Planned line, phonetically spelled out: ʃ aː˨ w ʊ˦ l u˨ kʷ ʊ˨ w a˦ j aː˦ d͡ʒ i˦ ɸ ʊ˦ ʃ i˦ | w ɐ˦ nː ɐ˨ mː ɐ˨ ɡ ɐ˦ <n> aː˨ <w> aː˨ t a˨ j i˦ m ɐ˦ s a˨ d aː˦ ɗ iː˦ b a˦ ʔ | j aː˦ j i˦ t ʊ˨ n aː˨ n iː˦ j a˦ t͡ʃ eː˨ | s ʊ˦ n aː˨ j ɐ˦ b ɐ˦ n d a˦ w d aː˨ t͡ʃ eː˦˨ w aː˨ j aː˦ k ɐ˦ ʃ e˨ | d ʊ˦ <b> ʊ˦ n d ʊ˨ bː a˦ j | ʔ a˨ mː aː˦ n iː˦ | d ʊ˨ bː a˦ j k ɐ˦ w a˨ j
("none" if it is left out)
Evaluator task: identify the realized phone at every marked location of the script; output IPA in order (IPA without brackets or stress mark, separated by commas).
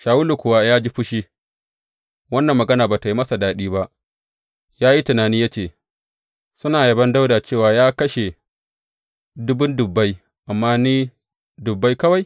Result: n, b, b